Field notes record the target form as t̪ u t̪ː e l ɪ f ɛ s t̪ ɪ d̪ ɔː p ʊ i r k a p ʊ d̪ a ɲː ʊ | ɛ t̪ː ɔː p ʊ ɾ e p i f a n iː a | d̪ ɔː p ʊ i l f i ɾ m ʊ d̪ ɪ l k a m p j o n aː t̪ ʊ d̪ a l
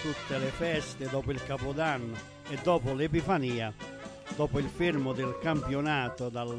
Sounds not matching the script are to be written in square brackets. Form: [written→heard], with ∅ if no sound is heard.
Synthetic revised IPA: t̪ u t̪ː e l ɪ f ɛ s t̪ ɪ d̪ ɔː p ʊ i [r→l] k a p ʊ d̪ a [ɲː→nː] ʊ | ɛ [t̪ː→d̪ː] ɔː p ʊ [ɾ→l] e p i f a n iː a | d̪ ɔː p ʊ i l f i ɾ m ʊ d̪ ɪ l k a m p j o n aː t̪ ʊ d̪ a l